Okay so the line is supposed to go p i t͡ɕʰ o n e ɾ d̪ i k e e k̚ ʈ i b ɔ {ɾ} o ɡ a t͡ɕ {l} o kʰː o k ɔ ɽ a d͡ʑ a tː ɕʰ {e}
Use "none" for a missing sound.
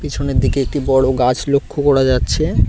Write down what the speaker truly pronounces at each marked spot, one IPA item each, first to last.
ɽ, l, e

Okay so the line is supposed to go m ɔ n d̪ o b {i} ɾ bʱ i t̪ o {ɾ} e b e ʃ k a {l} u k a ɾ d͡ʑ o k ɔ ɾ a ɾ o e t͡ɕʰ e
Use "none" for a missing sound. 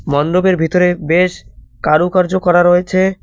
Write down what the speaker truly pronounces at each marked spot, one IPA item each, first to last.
e, ɾ, ɾ

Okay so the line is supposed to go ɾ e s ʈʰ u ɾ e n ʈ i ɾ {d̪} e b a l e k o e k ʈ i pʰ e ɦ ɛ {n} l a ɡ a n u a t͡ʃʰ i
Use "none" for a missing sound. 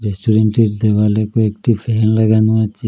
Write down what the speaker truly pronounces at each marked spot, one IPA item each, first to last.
d̪, n

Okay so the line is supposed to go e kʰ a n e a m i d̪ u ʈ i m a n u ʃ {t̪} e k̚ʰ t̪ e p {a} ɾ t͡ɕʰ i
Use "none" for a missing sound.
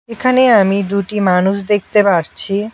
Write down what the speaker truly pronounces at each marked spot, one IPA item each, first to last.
d̪, a

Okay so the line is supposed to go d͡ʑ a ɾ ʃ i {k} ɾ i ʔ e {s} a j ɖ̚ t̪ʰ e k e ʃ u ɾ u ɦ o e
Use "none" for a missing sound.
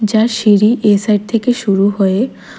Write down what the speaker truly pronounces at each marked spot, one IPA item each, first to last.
none, s

